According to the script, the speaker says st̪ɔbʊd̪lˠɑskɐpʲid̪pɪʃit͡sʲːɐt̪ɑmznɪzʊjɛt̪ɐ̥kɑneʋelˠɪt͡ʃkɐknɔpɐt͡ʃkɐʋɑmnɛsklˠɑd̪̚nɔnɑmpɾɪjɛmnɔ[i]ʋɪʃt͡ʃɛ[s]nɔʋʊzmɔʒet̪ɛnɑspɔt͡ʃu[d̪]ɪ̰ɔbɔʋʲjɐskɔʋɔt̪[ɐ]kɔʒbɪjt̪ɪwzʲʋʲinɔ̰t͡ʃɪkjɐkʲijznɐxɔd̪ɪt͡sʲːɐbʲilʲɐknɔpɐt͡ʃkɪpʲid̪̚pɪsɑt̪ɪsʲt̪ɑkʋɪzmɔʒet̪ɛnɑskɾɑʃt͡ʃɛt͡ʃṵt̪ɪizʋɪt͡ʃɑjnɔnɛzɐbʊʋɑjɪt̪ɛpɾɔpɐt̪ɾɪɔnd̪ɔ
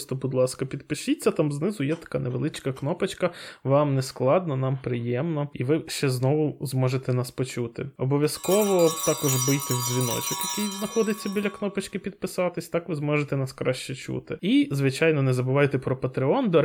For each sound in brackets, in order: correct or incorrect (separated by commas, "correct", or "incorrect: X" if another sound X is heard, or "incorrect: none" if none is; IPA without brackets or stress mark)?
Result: correct, incorrect: z, incorrect: t̪, incorrect: ɑ